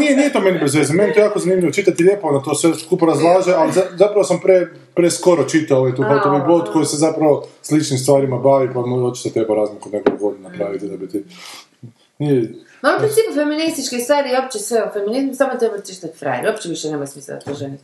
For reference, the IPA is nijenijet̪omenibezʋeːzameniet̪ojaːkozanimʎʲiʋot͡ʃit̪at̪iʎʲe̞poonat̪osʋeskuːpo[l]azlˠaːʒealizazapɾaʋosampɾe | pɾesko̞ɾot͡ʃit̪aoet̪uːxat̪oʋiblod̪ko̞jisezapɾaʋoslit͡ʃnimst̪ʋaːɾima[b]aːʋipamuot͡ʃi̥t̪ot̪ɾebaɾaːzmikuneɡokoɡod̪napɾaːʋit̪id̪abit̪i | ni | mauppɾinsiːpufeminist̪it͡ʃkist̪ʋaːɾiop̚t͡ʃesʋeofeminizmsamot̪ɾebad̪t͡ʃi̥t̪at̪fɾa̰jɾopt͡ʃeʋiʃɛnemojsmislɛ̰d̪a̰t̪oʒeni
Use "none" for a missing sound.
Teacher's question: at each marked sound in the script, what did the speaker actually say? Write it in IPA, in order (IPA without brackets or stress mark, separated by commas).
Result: ɾ, b